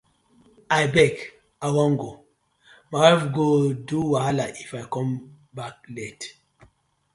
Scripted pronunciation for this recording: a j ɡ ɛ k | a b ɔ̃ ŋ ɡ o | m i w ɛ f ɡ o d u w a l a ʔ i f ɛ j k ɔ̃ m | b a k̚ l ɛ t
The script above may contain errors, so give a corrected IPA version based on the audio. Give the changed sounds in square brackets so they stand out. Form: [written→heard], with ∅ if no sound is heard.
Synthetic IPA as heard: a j [ɡ→b] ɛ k | a [b→w] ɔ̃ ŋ ɡ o | m [i→a] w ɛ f ɡ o d u w a l a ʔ i f [ɛ→a] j k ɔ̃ m | b a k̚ l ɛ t